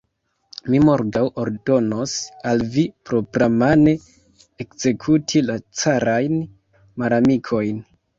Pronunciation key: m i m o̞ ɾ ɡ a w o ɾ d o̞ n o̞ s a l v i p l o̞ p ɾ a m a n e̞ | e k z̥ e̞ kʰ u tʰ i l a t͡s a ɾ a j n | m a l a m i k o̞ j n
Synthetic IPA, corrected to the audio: m i m o̞ ɾ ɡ a w o ɾ d o̞ n o̞ s a l v i p ɾ o̞ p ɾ a m a n e̞ | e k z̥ e̞ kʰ u tʰ i l a t͡s a ɾ a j n | m a l a m i kʰ o̞ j n